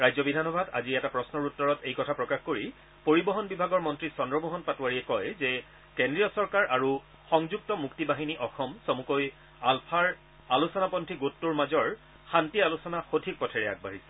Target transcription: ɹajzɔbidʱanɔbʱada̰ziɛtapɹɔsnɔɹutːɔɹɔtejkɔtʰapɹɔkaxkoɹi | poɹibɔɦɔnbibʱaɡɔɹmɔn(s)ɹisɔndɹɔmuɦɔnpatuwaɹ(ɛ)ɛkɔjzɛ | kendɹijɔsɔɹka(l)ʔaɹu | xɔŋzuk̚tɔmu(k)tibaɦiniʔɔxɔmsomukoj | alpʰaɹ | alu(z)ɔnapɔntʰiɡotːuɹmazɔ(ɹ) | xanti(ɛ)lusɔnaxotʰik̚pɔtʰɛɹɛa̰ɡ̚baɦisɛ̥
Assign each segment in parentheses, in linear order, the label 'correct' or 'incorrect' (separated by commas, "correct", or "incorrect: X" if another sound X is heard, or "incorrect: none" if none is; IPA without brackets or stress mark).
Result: incorrect: t, incorrect: i, incorrect: ɹ, correct, incorrect: s, correct, incorrect: a